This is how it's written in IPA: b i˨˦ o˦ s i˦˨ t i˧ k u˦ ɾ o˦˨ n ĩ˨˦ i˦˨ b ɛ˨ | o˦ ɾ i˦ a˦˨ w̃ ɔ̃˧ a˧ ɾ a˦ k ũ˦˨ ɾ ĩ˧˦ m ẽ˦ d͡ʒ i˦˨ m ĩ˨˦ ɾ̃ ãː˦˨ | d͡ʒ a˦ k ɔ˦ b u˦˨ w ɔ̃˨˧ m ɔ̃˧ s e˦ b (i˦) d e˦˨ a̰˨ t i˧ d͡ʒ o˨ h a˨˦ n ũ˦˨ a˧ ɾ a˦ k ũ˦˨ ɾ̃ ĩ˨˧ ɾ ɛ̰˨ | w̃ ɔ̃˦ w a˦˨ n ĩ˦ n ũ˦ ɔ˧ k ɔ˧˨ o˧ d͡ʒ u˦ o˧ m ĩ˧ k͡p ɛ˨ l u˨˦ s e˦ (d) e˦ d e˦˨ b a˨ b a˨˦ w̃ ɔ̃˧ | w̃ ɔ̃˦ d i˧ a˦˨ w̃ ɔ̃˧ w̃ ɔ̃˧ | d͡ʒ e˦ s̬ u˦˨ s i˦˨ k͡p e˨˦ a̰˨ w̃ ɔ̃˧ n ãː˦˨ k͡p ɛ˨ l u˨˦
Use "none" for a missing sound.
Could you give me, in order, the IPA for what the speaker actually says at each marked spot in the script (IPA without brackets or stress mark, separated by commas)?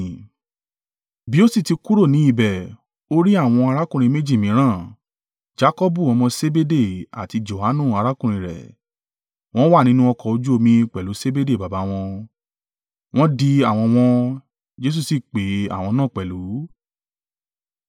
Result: e˦, b